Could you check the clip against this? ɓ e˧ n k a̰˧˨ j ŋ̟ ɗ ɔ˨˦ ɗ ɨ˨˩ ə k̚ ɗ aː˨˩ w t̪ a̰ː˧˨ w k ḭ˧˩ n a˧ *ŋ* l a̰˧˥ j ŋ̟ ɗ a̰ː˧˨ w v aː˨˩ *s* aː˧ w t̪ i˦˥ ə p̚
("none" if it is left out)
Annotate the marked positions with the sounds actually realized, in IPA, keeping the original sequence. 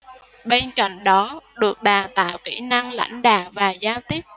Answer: ŋ, z

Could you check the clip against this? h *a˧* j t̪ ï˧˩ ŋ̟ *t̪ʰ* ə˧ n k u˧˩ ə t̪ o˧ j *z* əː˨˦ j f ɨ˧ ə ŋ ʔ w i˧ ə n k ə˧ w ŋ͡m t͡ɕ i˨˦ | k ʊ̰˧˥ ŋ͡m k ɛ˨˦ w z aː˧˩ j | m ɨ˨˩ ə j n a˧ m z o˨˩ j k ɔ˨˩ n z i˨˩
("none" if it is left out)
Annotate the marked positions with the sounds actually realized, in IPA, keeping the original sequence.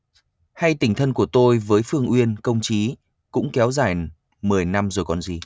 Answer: a˧, t̪ʰ, v

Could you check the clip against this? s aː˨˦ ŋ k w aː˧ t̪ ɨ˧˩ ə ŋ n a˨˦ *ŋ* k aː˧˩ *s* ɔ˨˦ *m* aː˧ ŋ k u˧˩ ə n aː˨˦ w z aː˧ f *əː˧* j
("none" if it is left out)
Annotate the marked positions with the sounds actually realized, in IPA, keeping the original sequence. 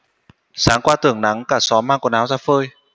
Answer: ŋ, s, m, əː˧

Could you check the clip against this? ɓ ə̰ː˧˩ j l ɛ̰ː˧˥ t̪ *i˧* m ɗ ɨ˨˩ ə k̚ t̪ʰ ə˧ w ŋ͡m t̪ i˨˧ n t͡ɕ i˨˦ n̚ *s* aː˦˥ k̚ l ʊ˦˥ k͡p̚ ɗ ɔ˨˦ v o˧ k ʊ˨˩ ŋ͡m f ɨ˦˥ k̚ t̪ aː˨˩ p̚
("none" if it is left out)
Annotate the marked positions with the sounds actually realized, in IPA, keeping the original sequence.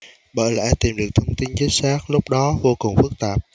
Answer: i˨˩, s

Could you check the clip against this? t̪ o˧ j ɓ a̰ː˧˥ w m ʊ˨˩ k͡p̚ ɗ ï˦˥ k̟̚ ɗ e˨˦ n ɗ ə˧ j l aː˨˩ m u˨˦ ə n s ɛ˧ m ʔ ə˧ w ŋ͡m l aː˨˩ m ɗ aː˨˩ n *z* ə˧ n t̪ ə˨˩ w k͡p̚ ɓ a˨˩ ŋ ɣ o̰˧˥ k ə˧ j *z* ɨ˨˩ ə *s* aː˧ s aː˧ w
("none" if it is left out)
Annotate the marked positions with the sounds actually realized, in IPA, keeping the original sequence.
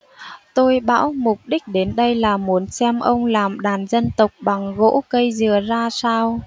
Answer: z, z, z

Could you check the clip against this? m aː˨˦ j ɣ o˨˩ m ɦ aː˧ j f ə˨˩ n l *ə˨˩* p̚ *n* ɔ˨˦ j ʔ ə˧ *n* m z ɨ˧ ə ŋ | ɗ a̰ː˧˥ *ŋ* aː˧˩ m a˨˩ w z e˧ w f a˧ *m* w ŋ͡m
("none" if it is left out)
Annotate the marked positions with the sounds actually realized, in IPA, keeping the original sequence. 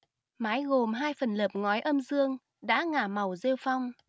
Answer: əː˨˩, ŋ, none, ŋ, none

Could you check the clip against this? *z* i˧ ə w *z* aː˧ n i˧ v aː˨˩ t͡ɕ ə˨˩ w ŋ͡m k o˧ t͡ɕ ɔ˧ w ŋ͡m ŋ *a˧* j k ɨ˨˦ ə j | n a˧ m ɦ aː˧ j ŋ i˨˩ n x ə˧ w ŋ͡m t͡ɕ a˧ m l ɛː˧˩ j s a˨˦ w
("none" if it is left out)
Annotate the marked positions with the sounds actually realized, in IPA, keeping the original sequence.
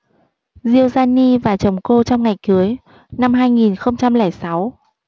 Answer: z, z, a˨˩

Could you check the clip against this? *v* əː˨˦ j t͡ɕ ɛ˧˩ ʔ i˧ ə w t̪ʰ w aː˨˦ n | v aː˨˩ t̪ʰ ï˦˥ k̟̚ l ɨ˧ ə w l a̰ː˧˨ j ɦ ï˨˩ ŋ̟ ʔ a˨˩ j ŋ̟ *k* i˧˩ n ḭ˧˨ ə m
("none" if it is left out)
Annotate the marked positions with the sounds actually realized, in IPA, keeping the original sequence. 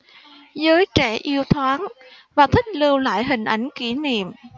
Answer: z, k

